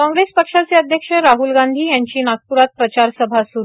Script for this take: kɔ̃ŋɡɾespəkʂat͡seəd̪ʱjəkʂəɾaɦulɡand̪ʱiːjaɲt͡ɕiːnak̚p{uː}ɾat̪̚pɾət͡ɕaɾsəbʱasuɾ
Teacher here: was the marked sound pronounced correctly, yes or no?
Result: no